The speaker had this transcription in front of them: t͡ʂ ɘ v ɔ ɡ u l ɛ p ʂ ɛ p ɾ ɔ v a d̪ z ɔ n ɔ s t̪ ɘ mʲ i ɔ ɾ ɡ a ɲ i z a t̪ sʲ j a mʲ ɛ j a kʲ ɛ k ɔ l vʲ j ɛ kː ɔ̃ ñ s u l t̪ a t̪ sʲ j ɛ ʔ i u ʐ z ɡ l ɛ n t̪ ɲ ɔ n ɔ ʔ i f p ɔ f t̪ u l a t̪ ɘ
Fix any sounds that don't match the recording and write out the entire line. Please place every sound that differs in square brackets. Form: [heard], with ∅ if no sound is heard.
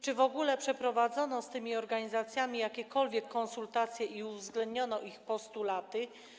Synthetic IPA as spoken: t͡ʂ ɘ v ɔ ɡ u l ɛ p ʂ ɛ p ɾ ɔ v a d̪ z ɔ n ɔ s t̪ ɘ mʲ i ɔ ɾ ɡ a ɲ i z a t̪ sʲ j a mʲ [i] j a kʲ ɛ k ɔ l vʲ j ɛ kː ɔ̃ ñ s u l t̪ a t̪ sʲ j ɛ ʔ i u [v] z ɡ l ɛ n [d̪] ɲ ɔ n ɔ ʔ i [x] p ɔ [s] t̪ u l a t̪ ɘ